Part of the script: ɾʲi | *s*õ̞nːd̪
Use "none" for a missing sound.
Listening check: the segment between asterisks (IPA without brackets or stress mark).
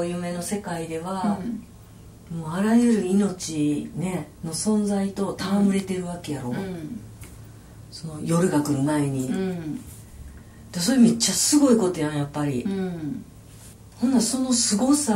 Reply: h